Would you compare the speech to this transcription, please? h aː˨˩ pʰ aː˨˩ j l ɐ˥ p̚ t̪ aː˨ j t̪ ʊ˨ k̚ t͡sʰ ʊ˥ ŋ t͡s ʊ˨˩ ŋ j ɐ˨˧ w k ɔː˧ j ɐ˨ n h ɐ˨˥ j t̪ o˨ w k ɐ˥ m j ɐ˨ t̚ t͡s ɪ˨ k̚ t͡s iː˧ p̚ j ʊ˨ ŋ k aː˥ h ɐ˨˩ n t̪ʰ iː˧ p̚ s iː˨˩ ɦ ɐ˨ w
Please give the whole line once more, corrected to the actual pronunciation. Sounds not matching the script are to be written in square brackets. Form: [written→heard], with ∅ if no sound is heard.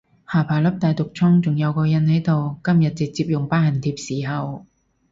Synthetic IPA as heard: h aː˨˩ pʰ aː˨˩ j l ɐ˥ p̚ t̪ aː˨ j t̪ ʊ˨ k̚ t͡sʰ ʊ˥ ŋ t͡s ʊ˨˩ ŋ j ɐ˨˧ w k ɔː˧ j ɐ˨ n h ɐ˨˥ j t̪ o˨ w k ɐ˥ m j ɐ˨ t̚ t͡s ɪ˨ k̚ t͡s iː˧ p̚ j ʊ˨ ŋ [k→p] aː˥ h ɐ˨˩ n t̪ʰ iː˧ p̚ s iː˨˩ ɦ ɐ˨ w